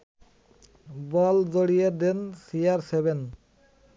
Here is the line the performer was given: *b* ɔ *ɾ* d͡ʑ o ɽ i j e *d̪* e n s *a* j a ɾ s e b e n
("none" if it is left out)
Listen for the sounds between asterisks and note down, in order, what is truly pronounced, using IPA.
b, l, d̪, i

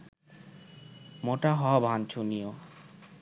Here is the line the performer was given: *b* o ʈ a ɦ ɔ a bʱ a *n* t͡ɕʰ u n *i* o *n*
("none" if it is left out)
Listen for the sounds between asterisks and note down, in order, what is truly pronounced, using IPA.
m, n, i, none

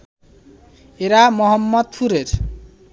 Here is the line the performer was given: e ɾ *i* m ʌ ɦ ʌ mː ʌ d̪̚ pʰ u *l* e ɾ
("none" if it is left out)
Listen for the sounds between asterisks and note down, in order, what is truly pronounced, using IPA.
a, ɾ

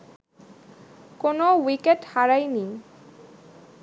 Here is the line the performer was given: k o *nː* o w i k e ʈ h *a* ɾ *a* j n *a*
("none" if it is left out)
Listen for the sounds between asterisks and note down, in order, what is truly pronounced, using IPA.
n, a, a, i

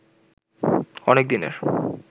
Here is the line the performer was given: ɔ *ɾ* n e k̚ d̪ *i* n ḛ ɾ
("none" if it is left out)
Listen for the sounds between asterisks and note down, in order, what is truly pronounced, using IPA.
none, i

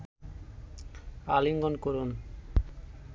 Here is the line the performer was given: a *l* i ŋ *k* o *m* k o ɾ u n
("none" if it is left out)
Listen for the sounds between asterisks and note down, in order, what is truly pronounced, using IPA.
l, ɡ, n

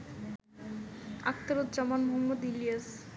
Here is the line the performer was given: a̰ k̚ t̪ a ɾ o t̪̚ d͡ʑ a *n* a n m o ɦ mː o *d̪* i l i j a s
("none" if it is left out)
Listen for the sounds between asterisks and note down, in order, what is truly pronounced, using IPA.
m, d̪

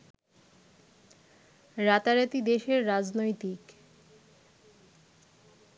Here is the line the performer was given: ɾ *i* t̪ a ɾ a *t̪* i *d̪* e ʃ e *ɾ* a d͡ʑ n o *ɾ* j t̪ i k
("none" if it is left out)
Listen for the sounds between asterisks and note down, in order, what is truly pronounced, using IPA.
a, t̪, d̪, ɾː, none

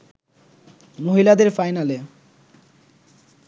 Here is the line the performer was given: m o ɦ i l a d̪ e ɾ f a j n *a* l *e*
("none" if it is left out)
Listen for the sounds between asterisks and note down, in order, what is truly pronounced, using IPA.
a, e

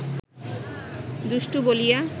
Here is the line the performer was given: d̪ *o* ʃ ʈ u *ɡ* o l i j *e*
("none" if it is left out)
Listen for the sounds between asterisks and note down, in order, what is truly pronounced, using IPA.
u, b, a

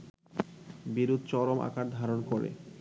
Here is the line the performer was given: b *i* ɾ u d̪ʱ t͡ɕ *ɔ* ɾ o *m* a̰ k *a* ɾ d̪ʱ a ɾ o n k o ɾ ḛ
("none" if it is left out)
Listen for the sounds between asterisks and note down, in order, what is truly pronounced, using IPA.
i, ɔ, m, a

